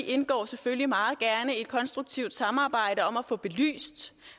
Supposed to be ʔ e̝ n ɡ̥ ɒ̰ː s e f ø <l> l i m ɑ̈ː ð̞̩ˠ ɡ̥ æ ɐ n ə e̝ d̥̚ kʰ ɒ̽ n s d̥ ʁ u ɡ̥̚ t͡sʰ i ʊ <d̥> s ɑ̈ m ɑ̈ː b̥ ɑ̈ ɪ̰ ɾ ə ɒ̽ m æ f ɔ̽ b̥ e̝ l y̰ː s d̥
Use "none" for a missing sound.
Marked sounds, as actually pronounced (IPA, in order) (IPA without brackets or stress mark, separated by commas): l, d̥